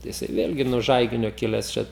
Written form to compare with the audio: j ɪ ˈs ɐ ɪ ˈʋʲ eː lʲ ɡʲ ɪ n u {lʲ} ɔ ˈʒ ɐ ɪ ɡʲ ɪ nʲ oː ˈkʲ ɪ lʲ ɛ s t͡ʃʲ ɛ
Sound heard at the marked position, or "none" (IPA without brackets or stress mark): none